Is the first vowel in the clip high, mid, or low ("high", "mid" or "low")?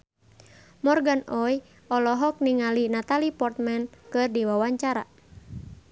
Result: mid